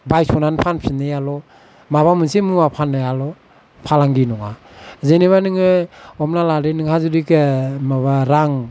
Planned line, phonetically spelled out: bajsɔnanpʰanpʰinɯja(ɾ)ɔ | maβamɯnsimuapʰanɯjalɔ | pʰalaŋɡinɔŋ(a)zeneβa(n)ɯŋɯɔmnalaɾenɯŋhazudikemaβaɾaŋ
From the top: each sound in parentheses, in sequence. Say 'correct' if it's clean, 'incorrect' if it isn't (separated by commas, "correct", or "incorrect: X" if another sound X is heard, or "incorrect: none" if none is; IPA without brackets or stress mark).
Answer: incorrect: l, correct, correct